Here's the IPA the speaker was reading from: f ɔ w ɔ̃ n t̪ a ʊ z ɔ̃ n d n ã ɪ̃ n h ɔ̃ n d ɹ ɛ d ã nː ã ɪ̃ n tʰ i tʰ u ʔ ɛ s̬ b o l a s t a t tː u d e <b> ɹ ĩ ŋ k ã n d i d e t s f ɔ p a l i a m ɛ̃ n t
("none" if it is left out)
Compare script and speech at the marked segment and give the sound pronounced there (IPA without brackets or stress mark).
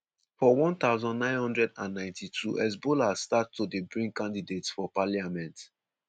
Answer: b